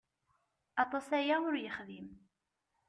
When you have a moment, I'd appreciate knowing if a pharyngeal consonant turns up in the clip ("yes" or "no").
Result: no